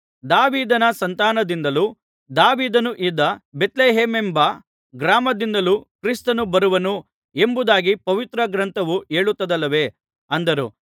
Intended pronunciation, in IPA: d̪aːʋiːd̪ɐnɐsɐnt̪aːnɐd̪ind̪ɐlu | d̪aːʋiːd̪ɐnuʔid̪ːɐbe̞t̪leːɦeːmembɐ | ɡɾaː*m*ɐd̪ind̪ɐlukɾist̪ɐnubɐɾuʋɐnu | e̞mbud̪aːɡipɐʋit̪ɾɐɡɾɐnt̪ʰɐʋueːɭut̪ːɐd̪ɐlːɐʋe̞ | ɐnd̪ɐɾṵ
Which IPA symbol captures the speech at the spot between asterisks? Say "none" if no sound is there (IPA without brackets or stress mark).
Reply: m